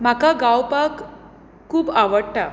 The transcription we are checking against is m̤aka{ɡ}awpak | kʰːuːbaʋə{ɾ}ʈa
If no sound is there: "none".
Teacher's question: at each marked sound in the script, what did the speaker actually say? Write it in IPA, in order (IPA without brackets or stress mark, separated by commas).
ɡ, ɽ